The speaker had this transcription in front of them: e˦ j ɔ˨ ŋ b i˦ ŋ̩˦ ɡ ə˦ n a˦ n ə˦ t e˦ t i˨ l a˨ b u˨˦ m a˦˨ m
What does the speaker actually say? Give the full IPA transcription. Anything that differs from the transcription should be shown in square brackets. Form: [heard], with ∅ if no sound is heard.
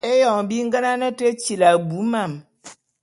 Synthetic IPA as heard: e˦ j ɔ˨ ŋ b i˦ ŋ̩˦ ɡ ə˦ n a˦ n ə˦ t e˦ [t͡ʃ] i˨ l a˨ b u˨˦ m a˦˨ m